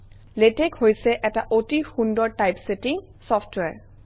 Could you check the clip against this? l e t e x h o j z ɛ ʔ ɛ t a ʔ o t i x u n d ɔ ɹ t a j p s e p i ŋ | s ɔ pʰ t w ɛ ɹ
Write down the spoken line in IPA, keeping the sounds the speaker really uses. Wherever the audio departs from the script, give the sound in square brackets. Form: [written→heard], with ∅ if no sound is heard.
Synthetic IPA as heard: l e t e [x→k] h o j [z→s] ɛ ʔ ɛ t a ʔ o t i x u n d ɔ ɹ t a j p s e [p→t] i ŋ | s ɔ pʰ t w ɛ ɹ